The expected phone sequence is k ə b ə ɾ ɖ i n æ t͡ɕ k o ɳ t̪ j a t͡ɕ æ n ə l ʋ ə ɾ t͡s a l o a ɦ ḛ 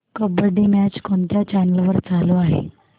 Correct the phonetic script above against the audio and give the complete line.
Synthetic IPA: k ə b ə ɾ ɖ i m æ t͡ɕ k o ɳ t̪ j a t͡ɕ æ n ə l ʋ ə ɾ t͡s a l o a ɦ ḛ